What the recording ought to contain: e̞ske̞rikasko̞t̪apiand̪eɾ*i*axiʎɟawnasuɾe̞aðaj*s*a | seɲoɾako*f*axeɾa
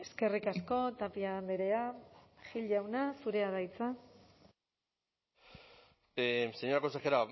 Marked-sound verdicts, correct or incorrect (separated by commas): incorrect, incorrect, incorrect